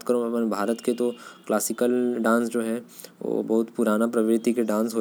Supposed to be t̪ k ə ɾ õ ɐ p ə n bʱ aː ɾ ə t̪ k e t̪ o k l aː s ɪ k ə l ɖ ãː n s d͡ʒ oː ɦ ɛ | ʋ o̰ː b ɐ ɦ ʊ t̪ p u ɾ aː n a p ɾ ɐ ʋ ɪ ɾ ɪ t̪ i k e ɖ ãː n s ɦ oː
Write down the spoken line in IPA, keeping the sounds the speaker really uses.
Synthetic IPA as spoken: t̪ k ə ɾ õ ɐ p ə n bʱ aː ɾ ə t̪ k e t̪ o k l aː s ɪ k ə l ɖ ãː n s d͡ʒ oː ɦ ɛ | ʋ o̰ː b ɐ ɦ ʊ t̪ p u ɾ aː n a p ɾ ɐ ʋ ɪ ɾ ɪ t̪ i k e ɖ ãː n s ɦ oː